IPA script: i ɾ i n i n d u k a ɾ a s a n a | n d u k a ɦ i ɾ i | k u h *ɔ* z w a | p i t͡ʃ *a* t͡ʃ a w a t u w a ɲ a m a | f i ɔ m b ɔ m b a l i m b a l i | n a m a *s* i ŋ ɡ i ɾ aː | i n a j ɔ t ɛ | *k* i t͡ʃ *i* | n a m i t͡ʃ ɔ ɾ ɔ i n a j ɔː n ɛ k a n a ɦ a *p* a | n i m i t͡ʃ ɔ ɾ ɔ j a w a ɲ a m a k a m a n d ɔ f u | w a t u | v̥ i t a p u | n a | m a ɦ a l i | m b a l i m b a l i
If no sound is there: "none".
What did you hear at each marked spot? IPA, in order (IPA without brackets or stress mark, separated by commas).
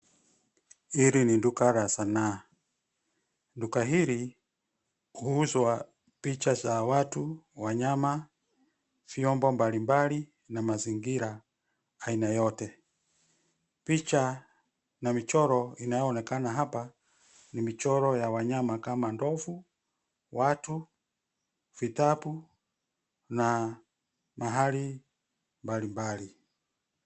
u, a, z, p, a, p